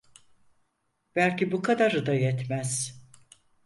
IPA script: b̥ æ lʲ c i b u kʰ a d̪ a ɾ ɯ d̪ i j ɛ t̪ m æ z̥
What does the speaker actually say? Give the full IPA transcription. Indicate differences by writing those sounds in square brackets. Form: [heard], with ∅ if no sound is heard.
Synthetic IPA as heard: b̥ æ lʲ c i b u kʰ a d̪ a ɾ ɯ d̪ [a] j ɛ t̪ m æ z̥